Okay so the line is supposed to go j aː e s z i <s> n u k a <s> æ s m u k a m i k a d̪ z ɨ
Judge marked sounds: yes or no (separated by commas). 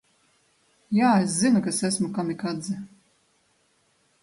no, yes